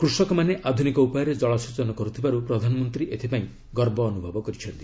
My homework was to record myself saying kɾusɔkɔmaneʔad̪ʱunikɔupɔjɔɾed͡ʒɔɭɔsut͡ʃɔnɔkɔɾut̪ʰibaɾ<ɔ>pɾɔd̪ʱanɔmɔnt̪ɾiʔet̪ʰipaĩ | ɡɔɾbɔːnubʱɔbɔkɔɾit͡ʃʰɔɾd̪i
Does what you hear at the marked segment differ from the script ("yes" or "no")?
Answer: yes